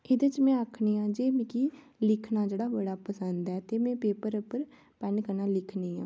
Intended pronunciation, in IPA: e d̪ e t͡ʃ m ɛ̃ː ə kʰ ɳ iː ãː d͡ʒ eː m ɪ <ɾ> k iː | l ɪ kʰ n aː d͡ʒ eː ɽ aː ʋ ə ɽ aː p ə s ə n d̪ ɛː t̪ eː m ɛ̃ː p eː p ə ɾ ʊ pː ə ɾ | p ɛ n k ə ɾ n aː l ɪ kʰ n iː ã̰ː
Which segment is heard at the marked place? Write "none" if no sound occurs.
none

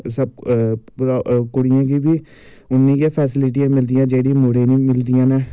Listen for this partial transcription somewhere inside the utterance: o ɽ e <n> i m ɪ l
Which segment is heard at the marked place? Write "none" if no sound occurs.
n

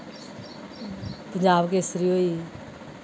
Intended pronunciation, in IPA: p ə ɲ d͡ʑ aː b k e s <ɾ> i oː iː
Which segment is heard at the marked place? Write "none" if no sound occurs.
ɾ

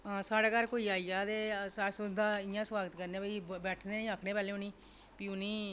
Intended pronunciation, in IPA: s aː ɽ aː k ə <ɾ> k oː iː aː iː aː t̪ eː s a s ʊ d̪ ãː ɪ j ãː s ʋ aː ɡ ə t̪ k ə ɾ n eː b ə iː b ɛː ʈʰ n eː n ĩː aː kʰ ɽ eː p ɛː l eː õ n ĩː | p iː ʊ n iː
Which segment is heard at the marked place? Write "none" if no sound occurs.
ɾ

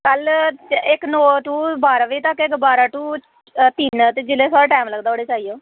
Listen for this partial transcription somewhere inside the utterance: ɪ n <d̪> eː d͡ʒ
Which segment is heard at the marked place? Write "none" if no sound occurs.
t̪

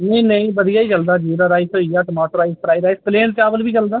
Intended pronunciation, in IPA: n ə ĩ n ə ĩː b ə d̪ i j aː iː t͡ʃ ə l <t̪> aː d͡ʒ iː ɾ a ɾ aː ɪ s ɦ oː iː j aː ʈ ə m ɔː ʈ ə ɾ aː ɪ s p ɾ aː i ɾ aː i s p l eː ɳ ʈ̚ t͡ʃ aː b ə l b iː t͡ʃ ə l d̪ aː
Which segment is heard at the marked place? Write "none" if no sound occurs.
d̪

